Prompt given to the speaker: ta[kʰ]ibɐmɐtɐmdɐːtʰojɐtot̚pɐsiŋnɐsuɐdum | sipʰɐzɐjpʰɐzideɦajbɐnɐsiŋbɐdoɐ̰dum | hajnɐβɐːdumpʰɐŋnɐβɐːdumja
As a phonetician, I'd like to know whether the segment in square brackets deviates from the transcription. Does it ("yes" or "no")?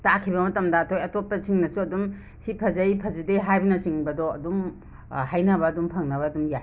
no